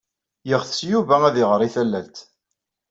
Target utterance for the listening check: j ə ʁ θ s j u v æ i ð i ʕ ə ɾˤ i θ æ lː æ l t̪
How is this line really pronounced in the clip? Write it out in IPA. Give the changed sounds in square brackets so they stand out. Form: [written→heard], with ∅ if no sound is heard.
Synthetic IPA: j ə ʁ θ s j u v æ [i→æ] ð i [ʕ→ʁ] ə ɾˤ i θ æ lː æ l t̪